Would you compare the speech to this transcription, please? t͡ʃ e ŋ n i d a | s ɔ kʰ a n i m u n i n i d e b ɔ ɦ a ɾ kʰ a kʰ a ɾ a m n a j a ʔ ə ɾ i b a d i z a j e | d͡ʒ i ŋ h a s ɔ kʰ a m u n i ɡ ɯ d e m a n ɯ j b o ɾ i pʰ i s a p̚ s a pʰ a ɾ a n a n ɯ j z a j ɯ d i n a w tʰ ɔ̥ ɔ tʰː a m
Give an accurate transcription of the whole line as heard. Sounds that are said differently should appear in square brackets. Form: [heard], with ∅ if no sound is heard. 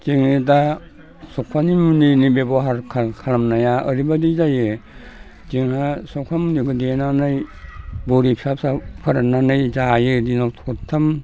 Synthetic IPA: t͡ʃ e ŋ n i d a | s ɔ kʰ a n i m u n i n i [b] e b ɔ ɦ a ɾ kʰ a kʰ a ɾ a m n a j a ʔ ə ɾ i b a d i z a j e | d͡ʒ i ŋ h a s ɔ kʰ a m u n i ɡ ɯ d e [n] a n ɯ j b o ɾ i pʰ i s a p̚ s a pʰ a ɾ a n a n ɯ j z a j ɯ d i n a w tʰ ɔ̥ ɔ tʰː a m